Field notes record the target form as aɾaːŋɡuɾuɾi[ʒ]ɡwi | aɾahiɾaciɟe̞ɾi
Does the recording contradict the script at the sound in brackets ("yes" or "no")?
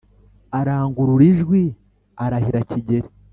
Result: no